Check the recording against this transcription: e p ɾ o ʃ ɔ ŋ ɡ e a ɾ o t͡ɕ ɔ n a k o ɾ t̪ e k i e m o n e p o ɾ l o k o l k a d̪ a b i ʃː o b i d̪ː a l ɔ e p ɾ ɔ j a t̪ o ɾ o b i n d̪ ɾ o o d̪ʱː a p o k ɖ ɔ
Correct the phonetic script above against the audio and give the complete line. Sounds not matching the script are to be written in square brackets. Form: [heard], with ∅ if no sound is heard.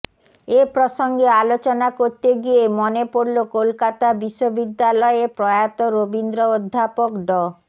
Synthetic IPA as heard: e p ɾ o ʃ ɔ ŋ ɡ e a [l] o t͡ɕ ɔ n a k o ɾ t̪ e [ɡ] i e m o n e p o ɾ l o k o l k a [t̪] a b i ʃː o b i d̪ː a l ɔ e p ɾ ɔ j a t̪ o ɾ o b i n d̪ ɾ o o d̪ʱː a p o k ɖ ɔ